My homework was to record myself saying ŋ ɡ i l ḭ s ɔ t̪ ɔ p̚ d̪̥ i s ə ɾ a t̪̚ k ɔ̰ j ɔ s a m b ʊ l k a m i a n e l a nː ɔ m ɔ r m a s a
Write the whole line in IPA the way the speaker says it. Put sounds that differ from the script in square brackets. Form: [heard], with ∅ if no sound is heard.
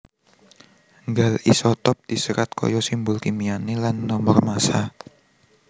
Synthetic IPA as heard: ŋ ɡ [a] l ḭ s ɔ t̪ ɔ p̚ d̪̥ i s ə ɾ a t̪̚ k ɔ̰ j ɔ s [i] m b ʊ l k [i] m i a n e l a nː ɔ m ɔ r m a s a